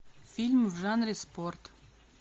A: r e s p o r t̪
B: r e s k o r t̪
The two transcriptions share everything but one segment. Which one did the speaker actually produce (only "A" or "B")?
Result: A